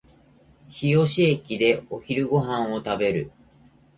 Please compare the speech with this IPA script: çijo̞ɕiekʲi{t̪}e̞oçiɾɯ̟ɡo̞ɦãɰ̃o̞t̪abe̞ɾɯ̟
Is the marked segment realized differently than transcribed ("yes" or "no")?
yes